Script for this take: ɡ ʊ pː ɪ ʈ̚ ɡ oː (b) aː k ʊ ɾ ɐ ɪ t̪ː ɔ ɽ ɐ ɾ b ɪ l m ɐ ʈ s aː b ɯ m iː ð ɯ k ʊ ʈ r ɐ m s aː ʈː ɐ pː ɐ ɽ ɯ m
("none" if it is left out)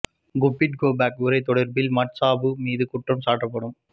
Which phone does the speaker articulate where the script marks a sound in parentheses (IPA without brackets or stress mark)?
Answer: b